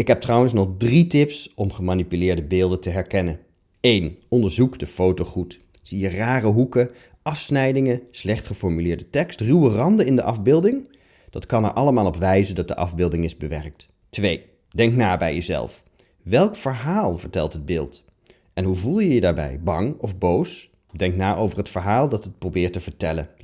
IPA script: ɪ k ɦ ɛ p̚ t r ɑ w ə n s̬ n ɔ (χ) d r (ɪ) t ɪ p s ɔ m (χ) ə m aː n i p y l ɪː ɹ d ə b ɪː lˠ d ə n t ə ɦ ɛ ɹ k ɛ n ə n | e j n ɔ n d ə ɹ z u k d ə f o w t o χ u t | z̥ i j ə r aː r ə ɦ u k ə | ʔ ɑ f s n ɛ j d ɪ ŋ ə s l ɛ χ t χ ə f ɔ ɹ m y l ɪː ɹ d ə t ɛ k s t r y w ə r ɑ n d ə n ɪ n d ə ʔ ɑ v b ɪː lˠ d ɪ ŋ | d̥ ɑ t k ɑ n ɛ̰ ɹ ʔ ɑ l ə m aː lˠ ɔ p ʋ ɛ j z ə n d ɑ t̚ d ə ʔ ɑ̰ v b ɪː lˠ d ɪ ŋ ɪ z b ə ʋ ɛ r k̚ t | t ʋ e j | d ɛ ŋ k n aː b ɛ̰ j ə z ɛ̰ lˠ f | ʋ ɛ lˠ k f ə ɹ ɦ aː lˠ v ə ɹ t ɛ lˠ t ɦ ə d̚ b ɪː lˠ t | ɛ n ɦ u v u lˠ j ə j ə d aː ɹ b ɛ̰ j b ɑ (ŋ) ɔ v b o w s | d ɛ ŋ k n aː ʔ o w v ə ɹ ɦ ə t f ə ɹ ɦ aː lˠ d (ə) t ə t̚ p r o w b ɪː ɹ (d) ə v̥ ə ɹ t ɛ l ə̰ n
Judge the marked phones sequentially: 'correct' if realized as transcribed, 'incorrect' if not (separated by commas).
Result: correct, incorrect, correct, correct, incorrect, incorrect